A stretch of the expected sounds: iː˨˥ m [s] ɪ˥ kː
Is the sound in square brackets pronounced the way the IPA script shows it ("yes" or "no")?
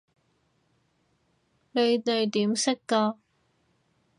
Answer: yes